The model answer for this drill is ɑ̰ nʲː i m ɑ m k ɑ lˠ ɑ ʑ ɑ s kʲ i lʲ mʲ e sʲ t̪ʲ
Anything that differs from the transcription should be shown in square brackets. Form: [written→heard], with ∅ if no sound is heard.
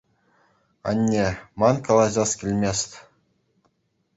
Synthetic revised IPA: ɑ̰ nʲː [i→e] m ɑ [m→n] k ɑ lˠ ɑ ʑ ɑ s kʲ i lʲ mʲ e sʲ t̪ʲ